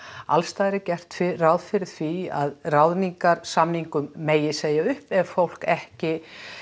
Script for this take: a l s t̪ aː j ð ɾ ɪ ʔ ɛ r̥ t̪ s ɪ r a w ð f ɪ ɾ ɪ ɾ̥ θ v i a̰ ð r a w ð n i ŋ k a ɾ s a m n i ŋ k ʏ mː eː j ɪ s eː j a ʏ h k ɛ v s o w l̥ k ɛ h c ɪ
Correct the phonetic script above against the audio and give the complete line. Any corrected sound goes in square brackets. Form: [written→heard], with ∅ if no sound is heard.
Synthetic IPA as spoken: a l s t̪ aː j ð ɾ ɪ [ʔ→c] ɛ r̥ t̪ [s→f] ɪ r a w ð f ɪ ɾ ɪ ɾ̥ θ v i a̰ ð r a w ð n i ŋ k a ɾ s a m n i ŋ k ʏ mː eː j ɪ s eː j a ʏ h [k→p] ɛ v [s→f] o w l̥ k ɛ h c ɪ